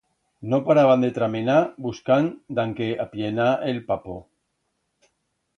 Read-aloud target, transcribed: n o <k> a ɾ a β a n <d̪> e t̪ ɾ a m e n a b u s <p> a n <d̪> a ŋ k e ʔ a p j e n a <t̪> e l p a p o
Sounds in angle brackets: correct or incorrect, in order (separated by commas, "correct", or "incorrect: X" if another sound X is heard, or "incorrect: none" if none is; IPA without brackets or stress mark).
incorrect: p, correct, incorrect: k, correct, incorrect: none